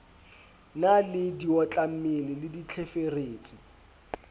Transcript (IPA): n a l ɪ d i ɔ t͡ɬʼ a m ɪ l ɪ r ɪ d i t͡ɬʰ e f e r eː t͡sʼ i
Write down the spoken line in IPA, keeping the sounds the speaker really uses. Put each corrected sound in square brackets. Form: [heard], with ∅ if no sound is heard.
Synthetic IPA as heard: n a l ɪ d i ɔ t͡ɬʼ a m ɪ l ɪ [l] ɪ d i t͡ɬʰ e f e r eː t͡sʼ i